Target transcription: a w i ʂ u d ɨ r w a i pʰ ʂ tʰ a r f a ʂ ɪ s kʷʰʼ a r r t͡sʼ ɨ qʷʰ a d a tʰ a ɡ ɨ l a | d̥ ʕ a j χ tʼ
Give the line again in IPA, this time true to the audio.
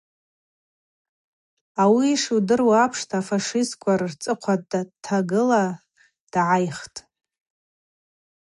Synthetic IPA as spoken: a w i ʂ u d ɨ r w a a pʰ ʂ tʰ a f a ʂ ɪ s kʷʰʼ a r r t͡sʼ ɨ qʷʰ a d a tʰ a ɡ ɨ l a | d̥ ʕ a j χ tʼ